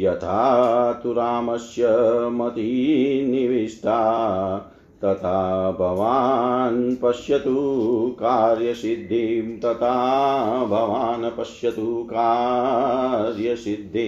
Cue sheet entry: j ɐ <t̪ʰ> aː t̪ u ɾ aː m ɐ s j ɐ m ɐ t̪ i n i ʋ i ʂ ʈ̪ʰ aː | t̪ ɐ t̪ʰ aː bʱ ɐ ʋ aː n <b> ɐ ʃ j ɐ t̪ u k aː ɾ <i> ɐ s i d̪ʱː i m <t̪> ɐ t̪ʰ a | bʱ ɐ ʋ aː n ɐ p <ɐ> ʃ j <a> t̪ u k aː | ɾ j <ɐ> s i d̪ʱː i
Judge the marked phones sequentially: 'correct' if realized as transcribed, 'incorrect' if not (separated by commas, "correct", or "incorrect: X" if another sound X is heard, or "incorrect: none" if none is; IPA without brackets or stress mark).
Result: correct, incorrect: p, incorrect: j, correct, correct, incorrect: ɐ, correct